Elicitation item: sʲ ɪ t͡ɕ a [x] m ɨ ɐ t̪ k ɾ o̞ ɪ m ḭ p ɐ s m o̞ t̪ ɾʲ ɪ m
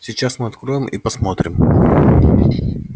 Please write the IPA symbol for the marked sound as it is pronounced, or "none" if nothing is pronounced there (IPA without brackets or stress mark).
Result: s